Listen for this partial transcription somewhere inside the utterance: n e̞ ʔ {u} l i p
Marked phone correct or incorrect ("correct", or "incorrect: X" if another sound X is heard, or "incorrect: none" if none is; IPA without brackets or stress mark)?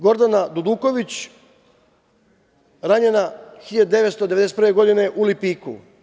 correct